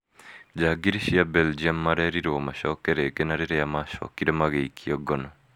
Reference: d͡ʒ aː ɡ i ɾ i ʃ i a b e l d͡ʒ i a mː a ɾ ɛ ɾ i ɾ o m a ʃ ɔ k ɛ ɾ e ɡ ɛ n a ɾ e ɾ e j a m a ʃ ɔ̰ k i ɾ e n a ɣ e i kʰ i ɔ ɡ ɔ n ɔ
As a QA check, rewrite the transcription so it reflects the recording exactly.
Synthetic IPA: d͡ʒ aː ɡ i ɾ i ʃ i a b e l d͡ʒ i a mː a ɾ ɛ ɾ i ɾ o m a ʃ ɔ k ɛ ɾ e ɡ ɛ n a ɾ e ɾ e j a m a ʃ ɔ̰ k i ɾ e m a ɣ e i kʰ i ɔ ɡ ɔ n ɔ